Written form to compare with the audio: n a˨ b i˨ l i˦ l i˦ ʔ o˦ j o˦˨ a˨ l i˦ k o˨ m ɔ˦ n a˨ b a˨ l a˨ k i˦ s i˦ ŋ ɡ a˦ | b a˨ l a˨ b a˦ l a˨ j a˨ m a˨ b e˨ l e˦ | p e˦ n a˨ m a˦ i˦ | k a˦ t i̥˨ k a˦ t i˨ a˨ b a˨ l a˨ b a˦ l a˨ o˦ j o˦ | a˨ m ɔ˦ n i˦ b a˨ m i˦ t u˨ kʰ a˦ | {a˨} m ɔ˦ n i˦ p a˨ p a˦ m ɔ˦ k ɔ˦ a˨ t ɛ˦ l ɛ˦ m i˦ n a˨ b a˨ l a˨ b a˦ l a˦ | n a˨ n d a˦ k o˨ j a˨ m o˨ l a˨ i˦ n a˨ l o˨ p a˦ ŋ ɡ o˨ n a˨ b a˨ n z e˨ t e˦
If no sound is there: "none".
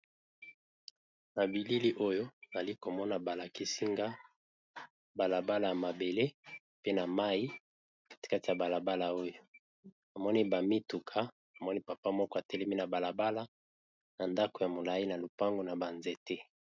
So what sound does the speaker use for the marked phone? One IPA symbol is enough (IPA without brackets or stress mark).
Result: a˨